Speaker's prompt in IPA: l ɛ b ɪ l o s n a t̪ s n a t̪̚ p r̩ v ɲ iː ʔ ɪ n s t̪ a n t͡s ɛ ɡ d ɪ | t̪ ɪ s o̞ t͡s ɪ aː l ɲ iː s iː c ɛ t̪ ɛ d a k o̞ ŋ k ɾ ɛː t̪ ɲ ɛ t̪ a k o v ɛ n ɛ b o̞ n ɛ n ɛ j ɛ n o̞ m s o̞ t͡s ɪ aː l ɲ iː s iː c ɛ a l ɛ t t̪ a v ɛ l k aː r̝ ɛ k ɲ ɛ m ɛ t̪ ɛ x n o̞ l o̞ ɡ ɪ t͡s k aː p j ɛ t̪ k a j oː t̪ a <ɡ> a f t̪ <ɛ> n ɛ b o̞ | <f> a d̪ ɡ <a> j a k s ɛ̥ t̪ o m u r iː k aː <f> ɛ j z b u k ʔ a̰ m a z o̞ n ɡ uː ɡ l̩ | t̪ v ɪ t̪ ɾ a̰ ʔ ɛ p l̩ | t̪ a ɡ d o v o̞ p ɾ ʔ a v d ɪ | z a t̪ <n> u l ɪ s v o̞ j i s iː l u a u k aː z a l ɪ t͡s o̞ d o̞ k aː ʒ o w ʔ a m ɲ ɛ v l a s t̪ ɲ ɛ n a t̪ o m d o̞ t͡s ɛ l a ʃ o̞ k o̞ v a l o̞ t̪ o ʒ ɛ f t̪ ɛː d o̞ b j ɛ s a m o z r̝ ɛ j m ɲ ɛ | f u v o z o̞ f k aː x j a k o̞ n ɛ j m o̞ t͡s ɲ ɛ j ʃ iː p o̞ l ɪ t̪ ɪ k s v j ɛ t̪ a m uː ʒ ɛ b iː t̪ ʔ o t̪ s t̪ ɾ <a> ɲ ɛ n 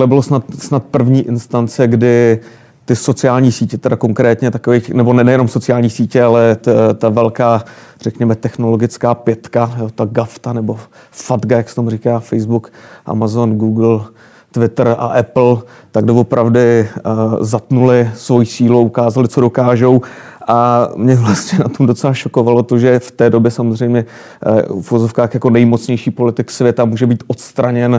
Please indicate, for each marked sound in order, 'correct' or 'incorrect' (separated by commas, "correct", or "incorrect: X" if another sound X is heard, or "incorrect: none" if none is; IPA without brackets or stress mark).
correct, incorrect: a, correct, correct, correct, correct, correct